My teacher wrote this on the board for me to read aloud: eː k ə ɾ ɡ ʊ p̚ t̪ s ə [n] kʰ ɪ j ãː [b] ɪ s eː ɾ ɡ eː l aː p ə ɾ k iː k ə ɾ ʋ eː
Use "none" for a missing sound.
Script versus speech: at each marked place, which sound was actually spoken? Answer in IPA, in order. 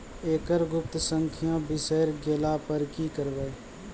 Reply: ŋ, b

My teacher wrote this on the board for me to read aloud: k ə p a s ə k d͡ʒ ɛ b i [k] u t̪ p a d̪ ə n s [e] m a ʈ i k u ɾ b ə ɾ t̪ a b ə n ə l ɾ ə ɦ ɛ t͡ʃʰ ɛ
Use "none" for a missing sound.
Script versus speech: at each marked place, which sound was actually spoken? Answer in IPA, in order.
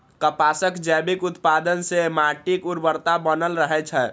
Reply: k, e

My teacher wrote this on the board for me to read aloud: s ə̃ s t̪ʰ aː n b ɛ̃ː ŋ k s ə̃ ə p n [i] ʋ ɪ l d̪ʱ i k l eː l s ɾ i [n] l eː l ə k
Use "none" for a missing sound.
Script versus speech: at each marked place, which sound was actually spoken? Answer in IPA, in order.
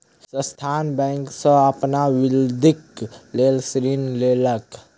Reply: a, n

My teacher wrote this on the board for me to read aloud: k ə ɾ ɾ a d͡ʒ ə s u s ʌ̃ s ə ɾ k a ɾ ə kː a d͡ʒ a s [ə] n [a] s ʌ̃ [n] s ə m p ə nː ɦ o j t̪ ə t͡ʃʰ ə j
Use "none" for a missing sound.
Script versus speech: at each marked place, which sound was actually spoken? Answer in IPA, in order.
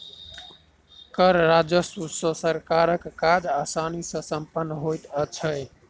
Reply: a, i, none

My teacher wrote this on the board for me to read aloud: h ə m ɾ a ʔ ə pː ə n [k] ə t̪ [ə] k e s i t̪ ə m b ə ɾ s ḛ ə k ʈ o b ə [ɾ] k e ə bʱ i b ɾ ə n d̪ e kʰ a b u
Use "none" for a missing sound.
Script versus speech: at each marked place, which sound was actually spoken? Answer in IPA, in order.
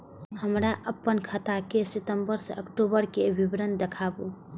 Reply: kʰ, a, ɾ

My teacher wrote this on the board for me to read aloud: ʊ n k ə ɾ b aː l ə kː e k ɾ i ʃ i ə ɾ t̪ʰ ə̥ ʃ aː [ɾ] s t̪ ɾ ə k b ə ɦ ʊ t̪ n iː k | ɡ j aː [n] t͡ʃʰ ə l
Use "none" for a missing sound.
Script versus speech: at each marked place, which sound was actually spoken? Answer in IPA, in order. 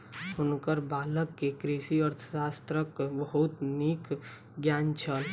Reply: none, n

